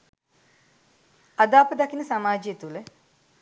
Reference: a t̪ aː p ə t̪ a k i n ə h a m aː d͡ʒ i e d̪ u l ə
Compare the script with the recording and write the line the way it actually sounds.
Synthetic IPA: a d̪ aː p ə d̪ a k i n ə s a m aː d͡ʒ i e t̪ u l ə